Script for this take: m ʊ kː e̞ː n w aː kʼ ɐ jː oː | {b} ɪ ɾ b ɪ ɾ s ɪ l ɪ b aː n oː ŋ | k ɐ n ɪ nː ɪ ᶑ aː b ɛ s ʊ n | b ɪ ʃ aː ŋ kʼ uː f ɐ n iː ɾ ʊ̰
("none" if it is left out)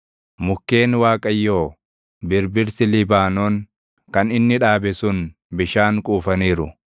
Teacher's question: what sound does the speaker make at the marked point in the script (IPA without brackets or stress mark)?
b